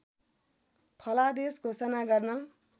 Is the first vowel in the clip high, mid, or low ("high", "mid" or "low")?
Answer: mid